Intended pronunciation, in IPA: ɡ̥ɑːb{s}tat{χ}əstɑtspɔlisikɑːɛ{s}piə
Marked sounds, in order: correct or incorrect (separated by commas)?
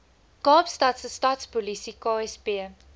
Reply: correct, incorrect, correct